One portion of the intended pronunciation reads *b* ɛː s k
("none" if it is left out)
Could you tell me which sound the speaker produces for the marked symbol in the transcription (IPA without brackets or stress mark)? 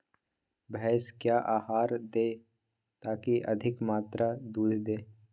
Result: b